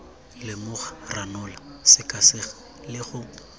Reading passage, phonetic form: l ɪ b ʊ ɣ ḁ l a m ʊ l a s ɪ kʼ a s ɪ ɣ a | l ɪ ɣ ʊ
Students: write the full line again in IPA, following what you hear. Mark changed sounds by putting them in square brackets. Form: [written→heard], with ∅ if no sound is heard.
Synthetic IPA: l ɪ [b→m] ʊ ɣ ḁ [l→r] a [m→n] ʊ l a s ɪ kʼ a s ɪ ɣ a | l ɪ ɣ ʊ